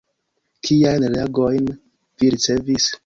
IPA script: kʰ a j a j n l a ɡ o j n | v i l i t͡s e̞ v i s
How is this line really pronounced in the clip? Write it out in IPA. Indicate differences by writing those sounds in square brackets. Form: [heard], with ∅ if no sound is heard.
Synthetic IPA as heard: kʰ [i] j a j n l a ɡ o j n | v i [ɾ] i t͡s e̞ v i s